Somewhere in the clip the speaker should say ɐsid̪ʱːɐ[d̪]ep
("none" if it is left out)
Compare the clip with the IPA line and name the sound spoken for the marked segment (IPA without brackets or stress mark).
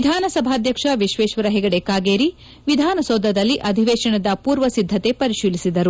t̪